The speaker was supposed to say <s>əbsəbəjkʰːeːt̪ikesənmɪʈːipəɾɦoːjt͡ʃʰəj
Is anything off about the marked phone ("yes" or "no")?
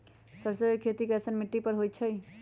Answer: no